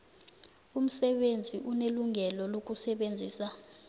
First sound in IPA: u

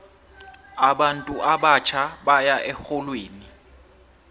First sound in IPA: a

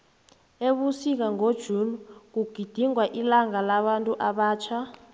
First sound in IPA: e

